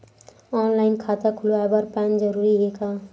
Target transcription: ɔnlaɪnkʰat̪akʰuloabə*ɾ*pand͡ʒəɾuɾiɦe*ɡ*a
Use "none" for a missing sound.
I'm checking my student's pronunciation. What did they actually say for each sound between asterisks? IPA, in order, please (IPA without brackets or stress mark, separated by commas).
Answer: ɾ, k